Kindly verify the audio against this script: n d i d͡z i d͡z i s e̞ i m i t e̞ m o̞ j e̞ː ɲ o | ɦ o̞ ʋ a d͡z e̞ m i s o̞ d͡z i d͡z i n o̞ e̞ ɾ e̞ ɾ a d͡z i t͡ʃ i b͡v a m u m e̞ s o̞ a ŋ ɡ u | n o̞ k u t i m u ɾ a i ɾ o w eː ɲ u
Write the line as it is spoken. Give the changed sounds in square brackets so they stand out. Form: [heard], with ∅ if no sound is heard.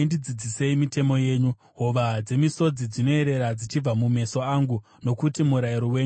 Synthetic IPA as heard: n d i d͡z i d͡z i s e̞ i m i t e̞ m o̞ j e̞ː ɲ [u] | ɦ o̞ ʋ a d͡z e̞ m i s o̞ d͡z i d͡z i n o̞ e̞ ɾ e̞ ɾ a d͡z i t͡ʃ i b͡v a m u m e̞ s o̞ a ŋ ɡ u | n o̞ k u t i m u ɾ a i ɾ o w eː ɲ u